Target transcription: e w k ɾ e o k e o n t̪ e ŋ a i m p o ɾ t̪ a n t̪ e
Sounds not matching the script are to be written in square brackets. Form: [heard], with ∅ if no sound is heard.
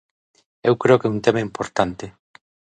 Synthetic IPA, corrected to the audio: e w k ɾ e o k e [u] n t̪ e [m] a i m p o ɾ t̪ a n t̪ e